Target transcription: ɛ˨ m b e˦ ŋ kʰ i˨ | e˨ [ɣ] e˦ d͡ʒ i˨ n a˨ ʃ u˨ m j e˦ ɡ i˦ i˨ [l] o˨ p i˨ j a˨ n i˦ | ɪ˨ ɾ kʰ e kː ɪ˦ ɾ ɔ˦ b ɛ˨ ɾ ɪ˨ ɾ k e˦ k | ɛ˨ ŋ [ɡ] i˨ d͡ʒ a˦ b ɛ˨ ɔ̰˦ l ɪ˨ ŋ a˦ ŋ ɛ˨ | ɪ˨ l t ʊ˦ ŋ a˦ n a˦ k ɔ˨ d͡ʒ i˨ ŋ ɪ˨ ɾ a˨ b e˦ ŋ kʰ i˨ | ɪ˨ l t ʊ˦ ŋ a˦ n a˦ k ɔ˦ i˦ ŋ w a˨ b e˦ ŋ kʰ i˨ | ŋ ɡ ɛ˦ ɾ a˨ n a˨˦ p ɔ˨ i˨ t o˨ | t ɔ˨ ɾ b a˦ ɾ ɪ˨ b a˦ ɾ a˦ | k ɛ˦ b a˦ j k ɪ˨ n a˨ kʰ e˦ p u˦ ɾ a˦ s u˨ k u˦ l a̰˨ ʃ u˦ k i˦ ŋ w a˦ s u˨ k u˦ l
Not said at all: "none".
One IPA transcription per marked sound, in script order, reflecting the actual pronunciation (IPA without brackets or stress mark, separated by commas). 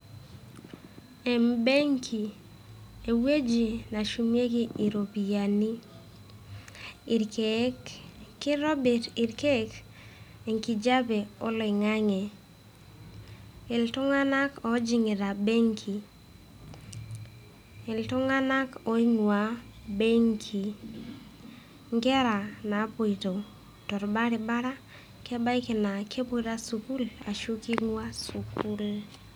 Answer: w, ɾ, k